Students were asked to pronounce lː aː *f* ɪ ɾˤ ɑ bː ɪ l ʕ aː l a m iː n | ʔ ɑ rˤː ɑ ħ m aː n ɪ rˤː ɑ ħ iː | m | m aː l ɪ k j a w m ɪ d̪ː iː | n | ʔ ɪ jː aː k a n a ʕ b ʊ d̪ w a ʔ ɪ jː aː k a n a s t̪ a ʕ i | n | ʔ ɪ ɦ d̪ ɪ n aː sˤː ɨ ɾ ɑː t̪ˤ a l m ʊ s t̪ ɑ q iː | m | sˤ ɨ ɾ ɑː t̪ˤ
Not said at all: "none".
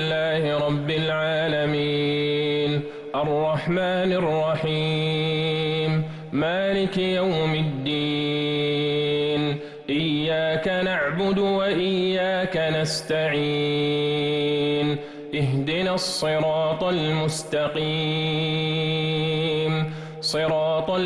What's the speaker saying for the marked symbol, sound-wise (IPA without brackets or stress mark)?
h